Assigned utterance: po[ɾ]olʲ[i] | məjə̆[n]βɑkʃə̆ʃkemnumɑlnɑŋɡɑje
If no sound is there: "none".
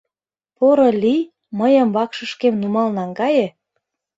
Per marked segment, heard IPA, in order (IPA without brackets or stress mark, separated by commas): ɾ, i, m